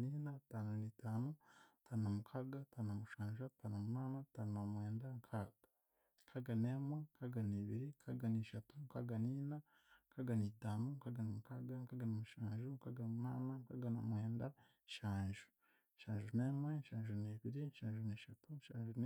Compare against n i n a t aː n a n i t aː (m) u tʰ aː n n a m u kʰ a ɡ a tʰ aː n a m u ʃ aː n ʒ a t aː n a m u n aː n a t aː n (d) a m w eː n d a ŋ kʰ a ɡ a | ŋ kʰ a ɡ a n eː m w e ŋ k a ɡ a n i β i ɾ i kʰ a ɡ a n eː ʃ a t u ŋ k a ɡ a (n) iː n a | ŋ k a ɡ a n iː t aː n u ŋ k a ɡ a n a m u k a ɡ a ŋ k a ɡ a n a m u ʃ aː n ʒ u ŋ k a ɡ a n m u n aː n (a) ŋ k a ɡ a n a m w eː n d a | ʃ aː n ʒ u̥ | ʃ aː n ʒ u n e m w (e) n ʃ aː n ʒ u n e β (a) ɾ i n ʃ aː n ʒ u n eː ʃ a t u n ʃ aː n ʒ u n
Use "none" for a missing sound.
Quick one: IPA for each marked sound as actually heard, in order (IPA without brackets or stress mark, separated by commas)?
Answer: n, n, n, a, e, i